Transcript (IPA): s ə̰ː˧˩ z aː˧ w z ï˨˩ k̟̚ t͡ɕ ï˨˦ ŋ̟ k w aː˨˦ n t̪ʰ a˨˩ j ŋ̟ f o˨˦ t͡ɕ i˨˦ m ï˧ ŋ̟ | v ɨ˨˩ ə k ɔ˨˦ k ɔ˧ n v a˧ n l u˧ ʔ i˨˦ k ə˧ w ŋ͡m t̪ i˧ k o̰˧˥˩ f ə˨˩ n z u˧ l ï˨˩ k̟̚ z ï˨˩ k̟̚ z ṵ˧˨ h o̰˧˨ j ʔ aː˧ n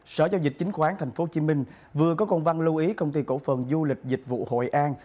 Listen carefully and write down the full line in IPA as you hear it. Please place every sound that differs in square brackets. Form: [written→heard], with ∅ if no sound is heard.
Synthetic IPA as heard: s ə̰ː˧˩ z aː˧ w z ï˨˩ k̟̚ t͡ɕ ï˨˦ ŋ̟ [k→x] w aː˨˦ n t̪ʰ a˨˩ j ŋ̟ f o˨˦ t͡ɕ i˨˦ m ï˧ ŋ̟ | v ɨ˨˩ ə k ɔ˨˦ k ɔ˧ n v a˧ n l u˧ ʔ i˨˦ k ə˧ w ŋ͡m t̪ i˧ k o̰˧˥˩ f ə˨˩ n z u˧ l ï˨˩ k̟̚ z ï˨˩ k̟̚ [z→v] ṵ˧˨ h o̰˧˨ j ʔ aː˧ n